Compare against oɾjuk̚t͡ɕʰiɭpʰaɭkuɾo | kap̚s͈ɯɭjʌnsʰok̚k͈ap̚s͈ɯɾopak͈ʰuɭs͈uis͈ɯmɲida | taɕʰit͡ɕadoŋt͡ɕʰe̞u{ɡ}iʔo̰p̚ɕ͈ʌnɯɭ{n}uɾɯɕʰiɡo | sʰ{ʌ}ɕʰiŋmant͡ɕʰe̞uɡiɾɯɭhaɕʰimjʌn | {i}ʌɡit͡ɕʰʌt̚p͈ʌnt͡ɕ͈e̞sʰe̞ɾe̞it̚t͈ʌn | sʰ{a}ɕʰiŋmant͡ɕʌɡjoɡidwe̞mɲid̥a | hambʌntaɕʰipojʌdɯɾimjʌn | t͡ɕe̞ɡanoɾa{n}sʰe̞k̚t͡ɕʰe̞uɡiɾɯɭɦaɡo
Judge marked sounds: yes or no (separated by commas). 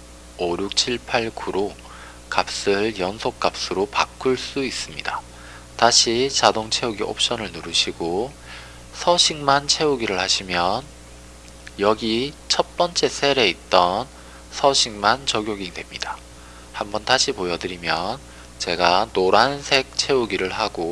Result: yes, yes, yes, no, no, yes